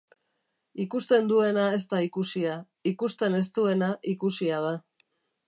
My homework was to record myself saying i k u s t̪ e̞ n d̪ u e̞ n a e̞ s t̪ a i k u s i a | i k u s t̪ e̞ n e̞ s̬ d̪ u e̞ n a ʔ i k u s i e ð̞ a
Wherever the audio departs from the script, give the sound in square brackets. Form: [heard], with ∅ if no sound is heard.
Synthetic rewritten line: i k u s t̪ e̞ n d̪ u e̞ n a e̞ s t̪ a i k u s i a | i k u s t̪ e̞ n e̞ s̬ [t̪] u e̞ n a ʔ i k u s i [a] ð̞ a